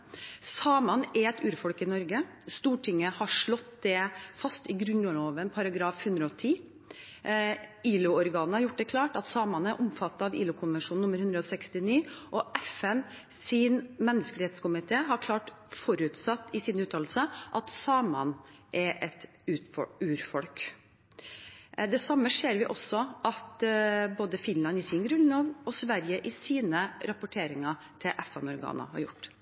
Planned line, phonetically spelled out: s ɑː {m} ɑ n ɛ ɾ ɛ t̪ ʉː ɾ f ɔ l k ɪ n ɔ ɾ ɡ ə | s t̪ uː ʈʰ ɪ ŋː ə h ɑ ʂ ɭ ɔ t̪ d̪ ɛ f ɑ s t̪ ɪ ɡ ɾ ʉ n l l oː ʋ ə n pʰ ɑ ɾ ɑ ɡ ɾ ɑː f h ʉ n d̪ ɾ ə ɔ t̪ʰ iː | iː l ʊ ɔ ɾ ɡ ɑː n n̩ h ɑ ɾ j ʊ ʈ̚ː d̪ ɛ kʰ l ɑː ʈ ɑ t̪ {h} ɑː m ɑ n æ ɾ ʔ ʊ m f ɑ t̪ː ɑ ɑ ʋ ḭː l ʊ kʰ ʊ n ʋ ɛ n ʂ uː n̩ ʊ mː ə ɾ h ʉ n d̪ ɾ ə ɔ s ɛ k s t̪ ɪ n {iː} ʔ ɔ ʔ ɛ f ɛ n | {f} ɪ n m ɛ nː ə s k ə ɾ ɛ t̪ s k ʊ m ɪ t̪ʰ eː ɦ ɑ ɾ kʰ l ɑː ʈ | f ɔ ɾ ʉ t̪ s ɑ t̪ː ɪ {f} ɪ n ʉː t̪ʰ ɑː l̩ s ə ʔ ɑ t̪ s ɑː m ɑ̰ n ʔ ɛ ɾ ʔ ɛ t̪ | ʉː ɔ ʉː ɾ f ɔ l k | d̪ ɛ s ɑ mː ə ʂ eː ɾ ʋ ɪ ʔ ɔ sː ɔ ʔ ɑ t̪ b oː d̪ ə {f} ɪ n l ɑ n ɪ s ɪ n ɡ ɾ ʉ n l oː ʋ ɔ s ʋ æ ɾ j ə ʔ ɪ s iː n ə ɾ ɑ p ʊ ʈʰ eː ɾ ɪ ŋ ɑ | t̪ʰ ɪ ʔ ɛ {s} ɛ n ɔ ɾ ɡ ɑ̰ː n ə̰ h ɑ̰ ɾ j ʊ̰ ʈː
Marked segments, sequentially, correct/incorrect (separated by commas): correct, incorrect, correct, incorrect, incorrect, correct, incorrect